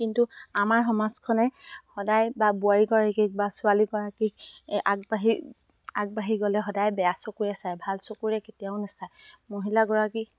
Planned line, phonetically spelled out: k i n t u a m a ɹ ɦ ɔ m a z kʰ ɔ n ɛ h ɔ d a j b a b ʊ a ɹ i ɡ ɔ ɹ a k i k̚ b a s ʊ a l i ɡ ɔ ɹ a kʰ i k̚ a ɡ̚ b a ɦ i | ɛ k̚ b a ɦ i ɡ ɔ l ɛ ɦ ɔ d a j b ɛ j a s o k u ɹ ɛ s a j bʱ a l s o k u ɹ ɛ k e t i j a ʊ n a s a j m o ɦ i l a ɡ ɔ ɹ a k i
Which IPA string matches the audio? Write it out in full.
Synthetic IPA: k i n t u a m a ɹ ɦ ɔ m a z kʰ ɔ n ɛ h ɔ d a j b a b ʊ a ɹ i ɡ ɔ ɹ a k i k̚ b a s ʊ a l i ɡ ɔ ɹ a k i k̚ a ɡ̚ b a ɦ i | a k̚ b a ɦ i ɡ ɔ l ɛ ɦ ɔ d a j b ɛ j a s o k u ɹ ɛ s a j bʱ a l s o k u ɹ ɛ k e t i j a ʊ n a s a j m o ɦ i l a ɡ ɔ ɹ a k i